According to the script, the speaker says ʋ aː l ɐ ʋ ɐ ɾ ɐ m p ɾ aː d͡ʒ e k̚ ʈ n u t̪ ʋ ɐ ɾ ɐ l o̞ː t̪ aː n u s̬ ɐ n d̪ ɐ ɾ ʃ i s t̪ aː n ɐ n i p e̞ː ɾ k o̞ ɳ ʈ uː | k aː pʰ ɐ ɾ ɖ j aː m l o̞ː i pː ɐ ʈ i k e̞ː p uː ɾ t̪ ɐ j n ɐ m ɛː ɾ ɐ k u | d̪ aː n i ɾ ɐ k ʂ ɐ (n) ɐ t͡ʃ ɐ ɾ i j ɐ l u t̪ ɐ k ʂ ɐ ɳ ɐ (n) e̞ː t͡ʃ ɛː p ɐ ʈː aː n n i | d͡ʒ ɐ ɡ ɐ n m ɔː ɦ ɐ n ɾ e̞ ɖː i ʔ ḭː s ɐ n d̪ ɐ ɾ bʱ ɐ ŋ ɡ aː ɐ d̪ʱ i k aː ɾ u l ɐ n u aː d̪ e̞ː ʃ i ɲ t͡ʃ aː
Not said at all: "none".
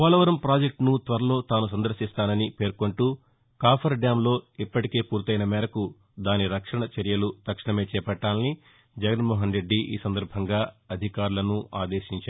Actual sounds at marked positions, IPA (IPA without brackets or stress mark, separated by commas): ɳ, m